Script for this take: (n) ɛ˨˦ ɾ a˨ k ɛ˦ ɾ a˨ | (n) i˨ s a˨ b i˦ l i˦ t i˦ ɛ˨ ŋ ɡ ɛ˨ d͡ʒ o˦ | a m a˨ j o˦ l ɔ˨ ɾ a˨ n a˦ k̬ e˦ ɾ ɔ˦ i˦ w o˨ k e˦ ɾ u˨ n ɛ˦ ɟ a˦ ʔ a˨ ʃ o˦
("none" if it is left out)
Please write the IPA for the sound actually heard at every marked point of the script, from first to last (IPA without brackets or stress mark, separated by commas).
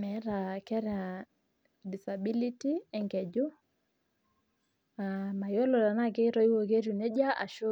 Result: m, d